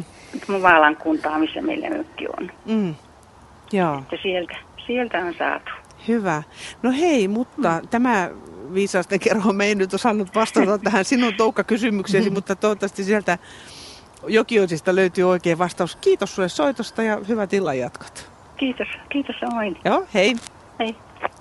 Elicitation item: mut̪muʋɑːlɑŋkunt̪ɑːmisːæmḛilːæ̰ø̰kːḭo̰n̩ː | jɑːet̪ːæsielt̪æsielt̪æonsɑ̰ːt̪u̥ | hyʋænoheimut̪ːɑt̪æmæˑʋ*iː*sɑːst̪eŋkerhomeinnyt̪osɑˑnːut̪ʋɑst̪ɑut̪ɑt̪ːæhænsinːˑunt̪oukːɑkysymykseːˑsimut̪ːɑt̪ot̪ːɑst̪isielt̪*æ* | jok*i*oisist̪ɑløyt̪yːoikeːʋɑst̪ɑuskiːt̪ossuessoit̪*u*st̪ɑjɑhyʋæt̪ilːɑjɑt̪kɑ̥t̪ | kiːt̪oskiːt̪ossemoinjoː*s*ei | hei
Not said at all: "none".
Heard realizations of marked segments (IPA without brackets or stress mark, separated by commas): iː, æ, i, o, h